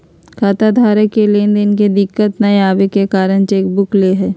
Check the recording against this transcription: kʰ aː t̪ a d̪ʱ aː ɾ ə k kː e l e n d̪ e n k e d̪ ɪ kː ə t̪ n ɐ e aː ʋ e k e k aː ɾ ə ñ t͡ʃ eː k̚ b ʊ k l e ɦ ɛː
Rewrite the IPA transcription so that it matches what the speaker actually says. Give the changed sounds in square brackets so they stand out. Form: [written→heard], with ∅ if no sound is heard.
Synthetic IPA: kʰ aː t̪ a d̪ʱ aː ɾ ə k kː e l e n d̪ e n k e d̪ ɪ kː ə t̪ n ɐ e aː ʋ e k e k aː ɾ ə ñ t͡ʃ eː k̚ b ʊ k l e ɦ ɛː